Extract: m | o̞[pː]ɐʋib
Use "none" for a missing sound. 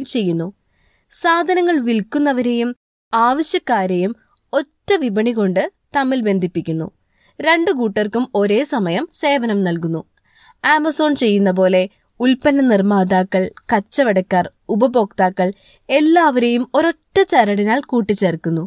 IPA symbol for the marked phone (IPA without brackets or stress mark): tː